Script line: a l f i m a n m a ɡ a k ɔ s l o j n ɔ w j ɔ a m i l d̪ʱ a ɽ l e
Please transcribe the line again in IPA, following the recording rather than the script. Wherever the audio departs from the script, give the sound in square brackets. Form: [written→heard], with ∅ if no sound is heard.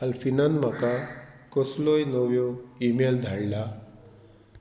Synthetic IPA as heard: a l f i [m→n] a n m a [ɡ→k] a k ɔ s l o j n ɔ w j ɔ [a→i] m [i→e] l d̪ʱ a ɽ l [e→a]